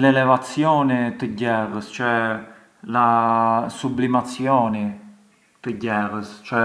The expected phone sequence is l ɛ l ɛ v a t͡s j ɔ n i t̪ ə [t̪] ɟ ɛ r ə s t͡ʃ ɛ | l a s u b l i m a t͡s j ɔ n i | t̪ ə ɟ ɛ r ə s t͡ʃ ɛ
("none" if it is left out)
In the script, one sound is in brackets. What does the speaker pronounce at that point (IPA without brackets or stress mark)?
none